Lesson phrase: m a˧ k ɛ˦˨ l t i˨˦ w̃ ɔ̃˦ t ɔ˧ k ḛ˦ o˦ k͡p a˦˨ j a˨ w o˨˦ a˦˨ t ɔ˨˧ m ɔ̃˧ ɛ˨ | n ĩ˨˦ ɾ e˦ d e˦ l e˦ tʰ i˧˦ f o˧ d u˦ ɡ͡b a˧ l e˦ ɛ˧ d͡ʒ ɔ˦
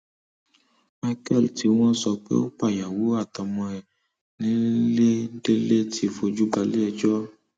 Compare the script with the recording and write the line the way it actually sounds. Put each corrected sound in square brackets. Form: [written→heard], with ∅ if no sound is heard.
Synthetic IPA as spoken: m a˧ k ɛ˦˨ l t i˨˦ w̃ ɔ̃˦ [t→s] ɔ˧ [k→k͡p] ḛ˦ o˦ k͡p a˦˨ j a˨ w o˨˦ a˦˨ t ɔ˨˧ m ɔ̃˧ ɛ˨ | n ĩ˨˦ [ɾ→l] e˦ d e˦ l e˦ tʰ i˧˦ f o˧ [d→d͡ʒ] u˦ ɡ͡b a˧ l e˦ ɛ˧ d͡ʒ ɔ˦